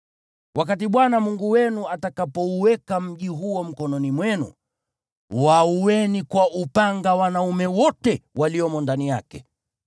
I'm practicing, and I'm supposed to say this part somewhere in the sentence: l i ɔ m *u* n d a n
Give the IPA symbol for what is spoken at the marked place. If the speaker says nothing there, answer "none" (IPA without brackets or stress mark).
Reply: ɔ